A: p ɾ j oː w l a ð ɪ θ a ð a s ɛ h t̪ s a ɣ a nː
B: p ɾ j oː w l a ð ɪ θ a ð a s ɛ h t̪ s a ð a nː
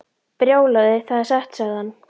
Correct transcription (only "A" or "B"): B